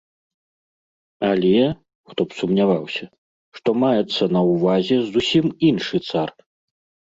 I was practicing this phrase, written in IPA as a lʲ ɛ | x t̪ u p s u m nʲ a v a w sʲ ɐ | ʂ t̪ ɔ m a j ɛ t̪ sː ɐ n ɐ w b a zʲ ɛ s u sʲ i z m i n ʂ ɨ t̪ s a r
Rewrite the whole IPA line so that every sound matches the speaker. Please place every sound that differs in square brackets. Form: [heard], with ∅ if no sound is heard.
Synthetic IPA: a lʲ ɛ | x t̪ [ɔ] p s u m nʲ a v a w sʲ ɐ | ʂ t̪ ɔ m a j ɛ t̪ sː ɐ n ɐ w [v] a zʲ ɛ [z] u sʲ i [∅] m i n ʂ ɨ t̪ s a r

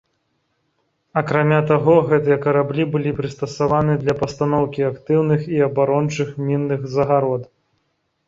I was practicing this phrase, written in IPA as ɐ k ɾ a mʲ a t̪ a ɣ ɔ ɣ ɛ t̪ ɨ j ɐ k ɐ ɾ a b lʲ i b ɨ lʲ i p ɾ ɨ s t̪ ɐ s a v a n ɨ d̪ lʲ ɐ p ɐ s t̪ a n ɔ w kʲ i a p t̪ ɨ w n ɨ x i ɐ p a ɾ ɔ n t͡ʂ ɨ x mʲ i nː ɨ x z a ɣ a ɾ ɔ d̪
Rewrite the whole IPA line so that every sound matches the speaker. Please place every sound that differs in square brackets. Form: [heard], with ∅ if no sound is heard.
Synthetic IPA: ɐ k ɾ a mʲ a t̪ a ɣ ɔ ɣ ɛ t̪ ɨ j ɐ k ɐ ɾ a b lʲ i b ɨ lʲ i p ɾ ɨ s t̪ ɐ s a v a n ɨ d̪ lʲ ɐ p ɐ s t̪ a n ɔ w kʲ i a [k] t̪ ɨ w n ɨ x i ɐ [b] a ɾ ɔ n t͡ʂ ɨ x mʲ i nː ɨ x z [ɐ] ɣ a ɾ ɔ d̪

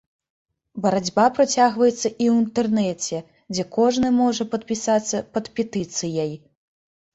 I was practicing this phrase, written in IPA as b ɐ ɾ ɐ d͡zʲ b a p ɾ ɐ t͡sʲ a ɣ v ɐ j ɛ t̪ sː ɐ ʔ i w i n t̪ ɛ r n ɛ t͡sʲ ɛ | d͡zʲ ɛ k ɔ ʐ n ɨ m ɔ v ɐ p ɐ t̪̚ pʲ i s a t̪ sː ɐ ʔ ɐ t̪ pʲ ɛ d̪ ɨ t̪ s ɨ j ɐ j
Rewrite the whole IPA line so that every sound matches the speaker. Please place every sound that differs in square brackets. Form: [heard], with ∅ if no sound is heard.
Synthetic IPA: b ɐ ɾ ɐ d͡zʲ b a p ɾ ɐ t͡sʲ a ɣ v ɐ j ɛ t̪ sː ɐ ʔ i w i n t̪ ɛ r n ɛ t͡sʲ ɛ | d͡zʲ ɛ k ɔ ʐ n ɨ m ɔ [ʐ] ɐ p ɐ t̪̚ pʲ i s a t̪ sː ɐ [p] ɐ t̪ pʲ ɛ [t̪] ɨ t̪ s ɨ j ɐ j

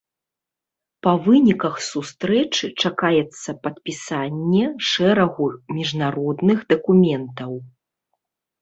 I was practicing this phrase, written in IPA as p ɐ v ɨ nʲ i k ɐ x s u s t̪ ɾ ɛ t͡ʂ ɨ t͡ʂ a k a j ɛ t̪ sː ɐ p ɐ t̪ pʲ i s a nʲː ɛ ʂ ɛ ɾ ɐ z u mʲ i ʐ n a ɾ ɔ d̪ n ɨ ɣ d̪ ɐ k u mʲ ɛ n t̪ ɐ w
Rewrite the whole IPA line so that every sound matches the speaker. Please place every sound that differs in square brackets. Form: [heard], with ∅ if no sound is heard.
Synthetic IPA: p ɐ v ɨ nʲ i k ɐ x s u s t̪ ɾ ɛ t͡ʂ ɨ t͡ʂ a k a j ɛ t̪ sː ɐ p ɐ t̪ pʲ i s a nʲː ɛ ʂ ɛ ɾ ɐ [ɣ] u mʲ i ʐ n a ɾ ɔ d̪ n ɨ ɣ d̪ ɐ k u mʲ ɛ n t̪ ɐ w

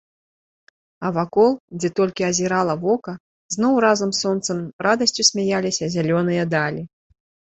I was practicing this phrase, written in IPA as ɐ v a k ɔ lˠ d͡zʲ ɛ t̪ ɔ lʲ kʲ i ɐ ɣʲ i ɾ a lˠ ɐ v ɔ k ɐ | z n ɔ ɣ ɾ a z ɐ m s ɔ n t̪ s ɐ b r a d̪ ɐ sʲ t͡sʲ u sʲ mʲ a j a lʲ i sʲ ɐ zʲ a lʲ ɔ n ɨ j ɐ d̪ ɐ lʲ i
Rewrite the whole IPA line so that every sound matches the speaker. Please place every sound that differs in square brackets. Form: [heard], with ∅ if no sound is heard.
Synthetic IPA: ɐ v a k ɔ lˠ d͡zʲ ɛ t̪ ɔ lʲ kʲ i ɐ [zʲ] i ɾ a lˠ ɐ v ɔ k ɐ | z n ɔ [w] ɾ a z ɐ m s ɔ n t̪ s ɐ [m] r a d̪ ɐ sʲ t͡sʲ u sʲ mʲ a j a lʲ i sʲ ɐ zʲ a lʲ ɔ n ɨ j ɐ d̪ [a] lʲ i

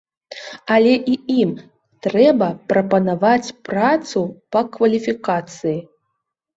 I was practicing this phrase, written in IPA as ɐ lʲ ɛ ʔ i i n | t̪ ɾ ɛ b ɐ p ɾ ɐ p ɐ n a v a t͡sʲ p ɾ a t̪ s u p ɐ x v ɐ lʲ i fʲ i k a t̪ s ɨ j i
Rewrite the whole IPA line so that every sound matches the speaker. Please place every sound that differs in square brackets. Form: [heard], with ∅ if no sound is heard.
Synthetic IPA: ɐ lʲ ɛ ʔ i i [m] | t̪ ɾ ɛ b ɐ p ɾ ɐ p ɐ n a v a t͡sʲ p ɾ a t̪ s u p ɐ [k] v ɐ lʲ i fʲ i k a t̪ s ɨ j i

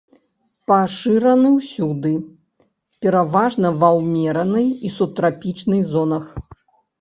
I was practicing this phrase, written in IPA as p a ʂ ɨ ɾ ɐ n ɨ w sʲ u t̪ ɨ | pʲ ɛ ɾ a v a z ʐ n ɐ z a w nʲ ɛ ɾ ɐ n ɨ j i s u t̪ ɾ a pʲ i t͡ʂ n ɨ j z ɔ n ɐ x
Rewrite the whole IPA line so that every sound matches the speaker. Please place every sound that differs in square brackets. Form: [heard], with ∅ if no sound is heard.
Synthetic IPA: p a ʂ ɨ ɾ ɐ n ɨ w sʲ u [d̪] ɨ | pʲ ɛ ɾ a v a [∅] ʐ n ɐ [v] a w [mʲ] ɛ ɾ ɐ n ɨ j i s u t̪ ɾ a pʲ i t͡ʂ n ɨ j z ɔ n ɐ x

